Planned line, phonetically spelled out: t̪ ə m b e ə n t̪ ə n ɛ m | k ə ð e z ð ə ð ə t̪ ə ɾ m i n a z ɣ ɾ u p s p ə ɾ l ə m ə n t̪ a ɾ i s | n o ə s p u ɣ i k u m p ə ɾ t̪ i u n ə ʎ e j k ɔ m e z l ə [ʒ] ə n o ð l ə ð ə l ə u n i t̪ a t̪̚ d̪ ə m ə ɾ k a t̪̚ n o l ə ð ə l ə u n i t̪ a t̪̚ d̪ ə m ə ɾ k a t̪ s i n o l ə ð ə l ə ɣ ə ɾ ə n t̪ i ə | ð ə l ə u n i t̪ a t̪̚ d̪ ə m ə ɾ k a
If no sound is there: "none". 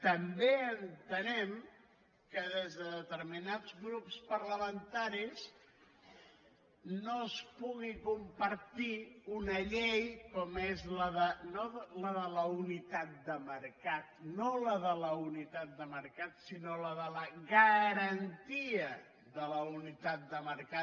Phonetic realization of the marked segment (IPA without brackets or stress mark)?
ð